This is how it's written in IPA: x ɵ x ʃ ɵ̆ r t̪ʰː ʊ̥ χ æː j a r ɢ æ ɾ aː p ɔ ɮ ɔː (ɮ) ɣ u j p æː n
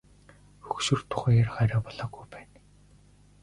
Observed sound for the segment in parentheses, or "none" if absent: none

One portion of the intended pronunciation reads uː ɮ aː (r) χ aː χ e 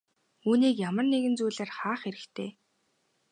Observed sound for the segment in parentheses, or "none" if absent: r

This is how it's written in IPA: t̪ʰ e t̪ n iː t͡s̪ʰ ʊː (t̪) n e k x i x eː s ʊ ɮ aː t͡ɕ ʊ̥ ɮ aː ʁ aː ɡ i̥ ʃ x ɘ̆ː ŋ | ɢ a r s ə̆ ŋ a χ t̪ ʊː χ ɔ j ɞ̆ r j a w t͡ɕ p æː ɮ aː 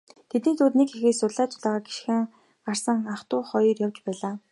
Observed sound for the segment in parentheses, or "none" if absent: t̪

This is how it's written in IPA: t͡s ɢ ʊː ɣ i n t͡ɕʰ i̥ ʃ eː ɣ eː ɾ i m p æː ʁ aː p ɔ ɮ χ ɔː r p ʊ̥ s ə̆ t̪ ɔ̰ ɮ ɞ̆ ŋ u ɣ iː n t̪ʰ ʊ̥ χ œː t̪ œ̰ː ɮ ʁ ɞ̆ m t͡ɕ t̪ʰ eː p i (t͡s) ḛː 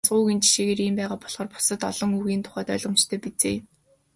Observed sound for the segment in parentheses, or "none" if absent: t͡s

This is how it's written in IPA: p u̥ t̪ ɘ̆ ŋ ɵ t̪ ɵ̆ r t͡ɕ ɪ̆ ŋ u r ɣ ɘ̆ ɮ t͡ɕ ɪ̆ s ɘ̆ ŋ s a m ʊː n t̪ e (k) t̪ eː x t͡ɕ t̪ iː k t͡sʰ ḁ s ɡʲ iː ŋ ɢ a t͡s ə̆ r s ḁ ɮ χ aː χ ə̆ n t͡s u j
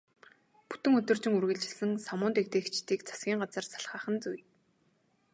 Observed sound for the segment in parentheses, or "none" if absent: k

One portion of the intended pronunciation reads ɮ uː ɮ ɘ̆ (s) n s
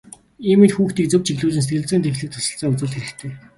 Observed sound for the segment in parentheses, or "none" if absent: none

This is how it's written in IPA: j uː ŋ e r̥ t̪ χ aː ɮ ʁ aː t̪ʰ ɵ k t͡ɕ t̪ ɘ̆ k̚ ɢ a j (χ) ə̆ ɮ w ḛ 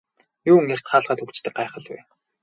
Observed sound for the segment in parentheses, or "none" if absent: χ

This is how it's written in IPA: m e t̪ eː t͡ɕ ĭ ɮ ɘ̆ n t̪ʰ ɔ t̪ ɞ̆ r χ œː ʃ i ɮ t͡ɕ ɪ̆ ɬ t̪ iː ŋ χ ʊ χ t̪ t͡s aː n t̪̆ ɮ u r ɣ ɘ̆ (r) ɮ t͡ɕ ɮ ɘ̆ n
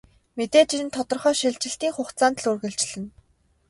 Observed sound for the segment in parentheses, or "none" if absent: none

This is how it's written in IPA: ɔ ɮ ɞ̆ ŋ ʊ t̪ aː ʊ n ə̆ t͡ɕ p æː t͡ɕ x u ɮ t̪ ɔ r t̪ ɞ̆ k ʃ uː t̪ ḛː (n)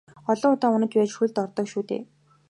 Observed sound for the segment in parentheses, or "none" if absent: none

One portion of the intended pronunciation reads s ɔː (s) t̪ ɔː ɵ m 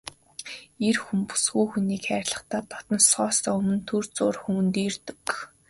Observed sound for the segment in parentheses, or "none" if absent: s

